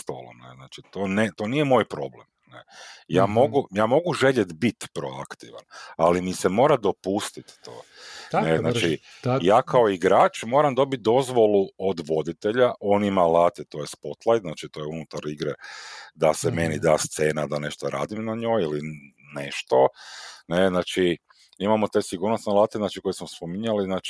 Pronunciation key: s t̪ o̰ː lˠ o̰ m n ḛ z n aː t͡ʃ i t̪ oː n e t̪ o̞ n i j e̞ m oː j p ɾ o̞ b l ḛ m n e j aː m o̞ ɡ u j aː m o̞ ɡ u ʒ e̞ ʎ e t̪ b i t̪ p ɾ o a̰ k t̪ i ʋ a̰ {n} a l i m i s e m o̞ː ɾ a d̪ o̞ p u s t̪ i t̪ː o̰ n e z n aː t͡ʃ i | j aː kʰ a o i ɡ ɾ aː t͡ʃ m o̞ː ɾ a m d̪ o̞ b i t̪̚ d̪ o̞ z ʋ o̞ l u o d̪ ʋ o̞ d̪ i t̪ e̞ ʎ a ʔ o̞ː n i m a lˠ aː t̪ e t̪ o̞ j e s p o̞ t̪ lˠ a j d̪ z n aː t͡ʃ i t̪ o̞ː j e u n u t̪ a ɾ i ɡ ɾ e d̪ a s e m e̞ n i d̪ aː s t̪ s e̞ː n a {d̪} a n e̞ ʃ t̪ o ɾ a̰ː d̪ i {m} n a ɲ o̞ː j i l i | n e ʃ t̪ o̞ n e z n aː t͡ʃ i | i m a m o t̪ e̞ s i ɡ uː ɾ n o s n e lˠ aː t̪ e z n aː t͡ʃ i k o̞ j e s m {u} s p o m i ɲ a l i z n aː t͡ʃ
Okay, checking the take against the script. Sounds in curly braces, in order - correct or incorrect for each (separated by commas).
correct, correct, correct, incorrect